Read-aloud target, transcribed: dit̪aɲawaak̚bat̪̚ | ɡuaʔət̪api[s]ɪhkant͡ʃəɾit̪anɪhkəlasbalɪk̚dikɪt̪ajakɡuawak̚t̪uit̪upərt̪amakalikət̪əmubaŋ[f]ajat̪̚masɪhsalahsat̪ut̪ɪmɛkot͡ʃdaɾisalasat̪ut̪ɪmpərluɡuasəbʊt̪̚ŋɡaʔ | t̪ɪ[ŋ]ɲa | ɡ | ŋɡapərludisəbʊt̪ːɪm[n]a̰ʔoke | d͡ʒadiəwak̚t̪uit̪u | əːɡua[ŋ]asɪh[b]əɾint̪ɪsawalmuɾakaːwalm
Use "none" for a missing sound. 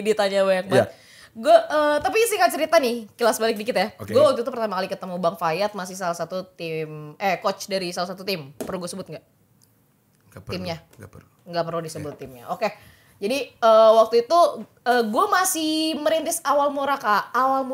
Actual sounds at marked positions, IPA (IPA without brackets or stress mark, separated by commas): s, f, m, ɲ, m, m